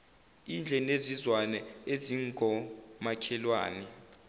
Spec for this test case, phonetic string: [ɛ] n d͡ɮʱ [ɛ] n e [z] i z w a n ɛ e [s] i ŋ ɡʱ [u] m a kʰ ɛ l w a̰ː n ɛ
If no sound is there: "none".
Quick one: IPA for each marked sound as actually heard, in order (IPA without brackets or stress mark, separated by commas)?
i, ɛ, z, z, ɔ